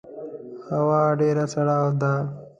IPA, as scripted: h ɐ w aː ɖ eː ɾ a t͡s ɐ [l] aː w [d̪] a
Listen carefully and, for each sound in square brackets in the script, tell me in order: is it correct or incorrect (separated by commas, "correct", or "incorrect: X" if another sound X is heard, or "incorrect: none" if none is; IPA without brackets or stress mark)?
incorrect: ɽ, correct